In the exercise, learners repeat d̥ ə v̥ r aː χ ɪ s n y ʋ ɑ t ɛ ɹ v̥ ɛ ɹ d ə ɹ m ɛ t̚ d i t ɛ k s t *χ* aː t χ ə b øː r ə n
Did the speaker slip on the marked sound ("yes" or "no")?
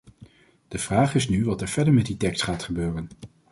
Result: no